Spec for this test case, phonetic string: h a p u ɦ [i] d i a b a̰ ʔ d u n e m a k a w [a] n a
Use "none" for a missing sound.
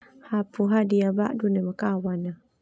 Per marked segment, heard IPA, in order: a, a

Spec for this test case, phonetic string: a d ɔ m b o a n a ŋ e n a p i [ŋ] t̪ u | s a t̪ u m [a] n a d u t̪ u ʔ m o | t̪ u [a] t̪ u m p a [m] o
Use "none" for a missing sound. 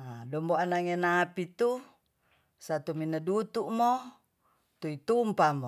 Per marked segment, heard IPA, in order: none, i, i, m

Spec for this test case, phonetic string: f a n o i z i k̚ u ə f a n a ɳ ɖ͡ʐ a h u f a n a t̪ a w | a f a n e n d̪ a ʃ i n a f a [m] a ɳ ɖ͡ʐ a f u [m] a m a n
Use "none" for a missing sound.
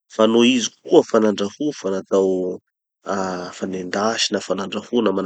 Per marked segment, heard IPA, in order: n, n

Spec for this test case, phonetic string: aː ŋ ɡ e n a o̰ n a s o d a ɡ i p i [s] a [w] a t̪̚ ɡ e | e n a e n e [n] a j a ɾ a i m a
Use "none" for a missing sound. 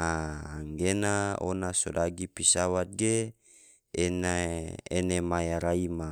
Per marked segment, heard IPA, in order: s, w, m

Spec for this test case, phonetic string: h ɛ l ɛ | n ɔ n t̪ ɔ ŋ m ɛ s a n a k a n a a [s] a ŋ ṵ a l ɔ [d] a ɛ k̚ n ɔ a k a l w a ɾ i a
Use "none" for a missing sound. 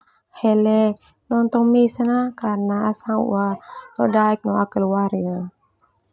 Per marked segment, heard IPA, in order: s, d

